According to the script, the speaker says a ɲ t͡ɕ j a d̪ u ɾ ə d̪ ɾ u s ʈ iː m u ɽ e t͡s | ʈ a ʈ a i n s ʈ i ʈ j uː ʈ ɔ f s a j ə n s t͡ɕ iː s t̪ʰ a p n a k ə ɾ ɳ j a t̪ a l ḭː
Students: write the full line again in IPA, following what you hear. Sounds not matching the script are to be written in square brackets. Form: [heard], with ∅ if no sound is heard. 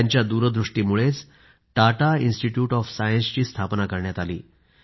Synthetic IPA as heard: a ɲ t͡ɕ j a d̪ u ɾ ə d̪ ɾ u [ʂ] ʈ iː m u [ɭ] e t͡s | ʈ a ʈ a i n s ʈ i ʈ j uː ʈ ɔ f s a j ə n s t͡ɕ iː s t̪ʰ a p n a k ə ɾ ɳ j a t̪ a l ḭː

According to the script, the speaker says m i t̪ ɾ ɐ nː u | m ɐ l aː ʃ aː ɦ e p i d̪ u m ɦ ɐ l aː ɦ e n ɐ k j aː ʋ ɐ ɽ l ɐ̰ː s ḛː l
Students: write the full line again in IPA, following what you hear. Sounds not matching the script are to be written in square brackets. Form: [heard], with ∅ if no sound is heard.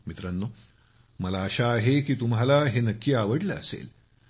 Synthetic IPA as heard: m i t̪ ɾ ɐ nː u | m ɐ l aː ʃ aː ɦ e [k] i [t̪] u m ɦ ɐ l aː ɦ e n ɐ k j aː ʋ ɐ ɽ l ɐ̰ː s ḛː l

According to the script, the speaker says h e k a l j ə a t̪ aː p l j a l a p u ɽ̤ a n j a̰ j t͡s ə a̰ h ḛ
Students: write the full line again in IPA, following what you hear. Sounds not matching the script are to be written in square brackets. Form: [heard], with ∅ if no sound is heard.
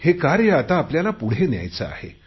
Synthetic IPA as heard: h e k a [ɾ] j ə a t̪ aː p l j a l a p u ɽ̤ [e] n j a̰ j t͡s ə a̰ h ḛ

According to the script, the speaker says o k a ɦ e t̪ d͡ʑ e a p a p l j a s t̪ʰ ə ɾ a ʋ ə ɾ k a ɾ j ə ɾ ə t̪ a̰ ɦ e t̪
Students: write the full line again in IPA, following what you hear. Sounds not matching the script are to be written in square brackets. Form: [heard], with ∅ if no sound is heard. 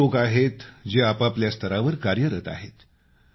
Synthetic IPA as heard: o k a ɦ e t̪ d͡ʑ e a p a p l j a s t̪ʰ ə ɾ a ʋ ə ɾ k a ɾ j ə ɾ ə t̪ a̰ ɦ e t̪

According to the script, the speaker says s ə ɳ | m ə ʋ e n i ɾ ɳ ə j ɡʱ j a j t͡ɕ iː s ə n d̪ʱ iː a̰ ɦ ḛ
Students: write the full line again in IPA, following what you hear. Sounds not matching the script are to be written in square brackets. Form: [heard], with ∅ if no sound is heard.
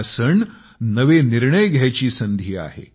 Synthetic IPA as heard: s ə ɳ | [n] ə ʋ e n i ɾ ɳ ə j ɡʱ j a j t͡ɕ iː s ə n d̪ʱ iː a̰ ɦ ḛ

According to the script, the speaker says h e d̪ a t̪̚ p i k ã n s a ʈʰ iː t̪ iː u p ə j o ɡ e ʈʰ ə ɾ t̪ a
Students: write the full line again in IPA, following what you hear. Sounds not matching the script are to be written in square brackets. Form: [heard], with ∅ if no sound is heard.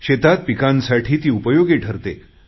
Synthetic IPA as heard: [ɕ] e [t̪] a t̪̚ p i k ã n s a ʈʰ iː t̪ iː u p ə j o ɡ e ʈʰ ə ɾ t̪ [e]

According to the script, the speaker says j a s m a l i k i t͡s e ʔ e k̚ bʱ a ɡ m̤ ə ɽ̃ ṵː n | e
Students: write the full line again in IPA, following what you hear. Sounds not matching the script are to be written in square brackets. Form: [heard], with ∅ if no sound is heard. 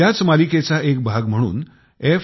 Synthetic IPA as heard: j a [t͡s] m a l i k [e] t͡s [a] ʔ e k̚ bʱ a ɡ m̤ ə ɽ̃ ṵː n | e

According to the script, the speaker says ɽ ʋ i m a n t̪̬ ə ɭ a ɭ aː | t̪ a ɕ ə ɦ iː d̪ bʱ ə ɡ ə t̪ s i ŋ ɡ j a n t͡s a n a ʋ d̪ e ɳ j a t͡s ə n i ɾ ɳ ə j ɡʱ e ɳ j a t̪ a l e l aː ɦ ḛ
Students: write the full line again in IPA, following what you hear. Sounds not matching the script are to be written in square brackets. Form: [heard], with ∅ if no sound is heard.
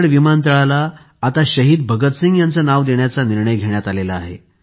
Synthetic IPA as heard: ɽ ʋ i m a n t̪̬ ə ɭ a [l] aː | t̪ a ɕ ə ɦ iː d̪ bʱ ə ɡ ə t̪ s i ŋ ɡ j a n t͡s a n a ʋ d̪ e ɳ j a t͡s [a] n i ɾ ɳ ə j ɡʱ e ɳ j a t̪ a l e l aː ɦ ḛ

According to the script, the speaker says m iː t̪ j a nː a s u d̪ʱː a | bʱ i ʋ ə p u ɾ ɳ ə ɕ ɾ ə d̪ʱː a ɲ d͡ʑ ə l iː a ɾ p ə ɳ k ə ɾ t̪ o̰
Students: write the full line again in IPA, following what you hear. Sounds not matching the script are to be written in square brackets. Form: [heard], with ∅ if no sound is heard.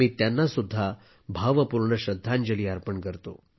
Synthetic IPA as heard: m iː t̪ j a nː a s u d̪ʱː a | bʱ [a] ʋ ə p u ɾ ɳ ə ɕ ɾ ə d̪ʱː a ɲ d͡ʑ ə l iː a ɾ p ə ɳ k ə ɾ t̪ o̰

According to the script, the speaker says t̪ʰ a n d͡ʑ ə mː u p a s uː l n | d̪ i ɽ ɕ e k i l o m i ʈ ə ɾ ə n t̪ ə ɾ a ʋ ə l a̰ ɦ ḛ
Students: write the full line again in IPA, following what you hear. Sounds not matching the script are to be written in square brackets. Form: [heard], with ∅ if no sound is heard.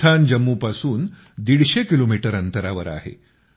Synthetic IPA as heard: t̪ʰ a n d͡ʑ ə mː u p a s uː [∅] n | d̪ i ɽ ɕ e k i l o m i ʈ ə ɾ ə n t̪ ə ɾ a ʋ ə [ɾ] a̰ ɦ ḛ

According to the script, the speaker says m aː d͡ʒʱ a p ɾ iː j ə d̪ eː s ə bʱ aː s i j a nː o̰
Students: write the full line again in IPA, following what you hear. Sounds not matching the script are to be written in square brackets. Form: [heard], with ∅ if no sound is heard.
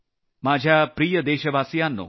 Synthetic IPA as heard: m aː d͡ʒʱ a p ɾ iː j ə d̪ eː [ʃ] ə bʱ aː s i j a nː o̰

